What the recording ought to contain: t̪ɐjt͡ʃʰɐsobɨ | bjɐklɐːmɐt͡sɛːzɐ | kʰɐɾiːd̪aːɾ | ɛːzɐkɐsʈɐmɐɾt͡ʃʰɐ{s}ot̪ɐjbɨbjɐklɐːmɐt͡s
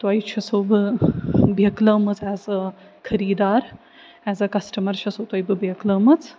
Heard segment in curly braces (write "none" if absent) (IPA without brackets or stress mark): s